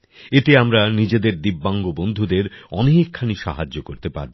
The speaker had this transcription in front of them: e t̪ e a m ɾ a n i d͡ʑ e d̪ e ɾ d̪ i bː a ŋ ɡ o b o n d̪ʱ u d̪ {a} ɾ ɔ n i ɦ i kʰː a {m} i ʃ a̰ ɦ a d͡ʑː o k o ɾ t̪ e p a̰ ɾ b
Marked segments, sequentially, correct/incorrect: incorrect: e, incorrect: n

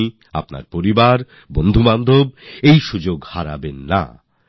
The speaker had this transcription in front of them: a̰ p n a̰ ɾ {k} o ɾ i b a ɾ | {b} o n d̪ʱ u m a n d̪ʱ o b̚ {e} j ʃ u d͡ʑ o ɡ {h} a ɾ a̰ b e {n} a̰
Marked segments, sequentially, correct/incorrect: incorrect: p, correct, correct, correct, incorrect: nː

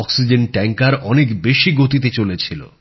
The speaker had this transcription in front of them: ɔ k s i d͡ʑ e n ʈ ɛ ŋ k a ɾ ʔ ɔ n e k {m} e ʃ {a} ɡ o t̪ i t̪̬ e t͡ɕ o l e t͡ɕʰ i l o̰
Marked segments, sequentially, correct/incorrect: incorrect: b, incorrect: i

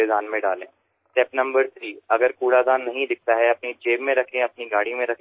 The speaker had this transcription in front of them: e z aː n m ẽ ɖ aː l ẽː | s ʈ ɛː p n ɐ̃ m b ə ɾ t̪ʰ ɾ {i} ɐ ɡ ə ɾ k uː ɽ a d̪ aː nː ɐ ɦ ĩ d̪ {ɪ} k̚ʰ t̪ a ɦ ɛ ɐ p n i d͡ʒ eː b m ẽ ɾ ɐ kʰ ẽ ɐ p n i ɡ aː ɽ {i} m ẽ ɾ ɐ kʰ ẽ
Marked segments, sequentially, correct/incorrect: incorrect: iː, correct, correct

